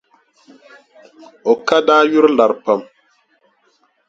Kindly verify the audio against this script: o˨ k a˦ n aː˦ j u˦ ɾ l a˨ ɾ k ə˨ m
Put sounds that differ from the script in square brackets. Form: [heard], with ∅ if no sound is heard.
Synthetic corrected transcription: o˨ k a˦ [d] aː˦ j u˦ ɾ l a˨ ɾ [p] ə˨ m